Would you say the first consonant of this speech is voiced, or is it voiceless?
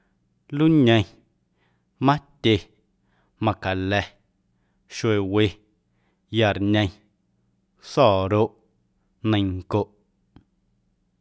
voiced